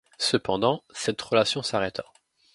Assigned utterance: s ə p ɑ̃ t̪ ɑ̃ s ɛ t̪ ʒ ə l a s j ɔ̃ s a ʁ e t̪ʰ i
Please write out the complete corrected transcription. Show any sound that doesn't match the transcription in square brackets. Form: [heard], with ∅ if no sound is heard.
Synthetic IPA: s ə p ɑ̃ [d̪] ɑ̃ s ɛ t̪ [ʁ] ə l a s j ɔ̃ s a ʁ [ɛ] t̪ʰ [a]